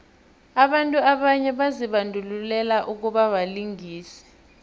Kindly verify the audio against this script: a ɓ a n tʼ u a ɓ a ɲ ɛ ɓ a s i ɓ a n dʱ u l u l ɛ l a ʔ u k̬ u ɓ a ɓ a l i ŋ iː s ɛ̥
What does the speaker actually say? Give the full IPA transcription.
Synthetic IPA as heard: a ɓ a n tʼ u a ɓ a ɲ ɛ ɓ a z i ɓ a n dʱ u l u l ɛ l a ʔ u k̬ u ɓ a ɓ a l i ŋ iː s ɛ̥